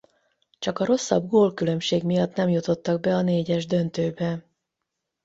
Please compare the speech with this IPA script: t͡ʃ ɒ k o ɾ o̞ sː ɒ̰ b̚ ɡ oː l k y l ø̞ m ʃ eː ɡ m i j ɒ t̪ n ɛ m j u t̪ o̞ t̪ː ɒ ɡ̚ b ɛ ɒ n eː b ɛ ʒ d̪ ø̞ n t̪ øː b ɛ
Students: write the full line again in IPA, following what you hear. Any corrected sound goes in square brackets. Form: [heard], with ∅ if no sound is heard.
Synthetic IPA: t͡ʃ ɒ k [ɒ] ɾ o̞ sː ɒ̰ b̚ ɡ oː l k y l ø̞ m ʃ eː ɡ m i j ɒ t̪ n ɛ m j u t̪ o̞ t̪ː ɒ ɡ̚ b ɛ ɒ n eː [ɟ] ɛ ʒ d̪ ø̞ n t̪ øː b ɛ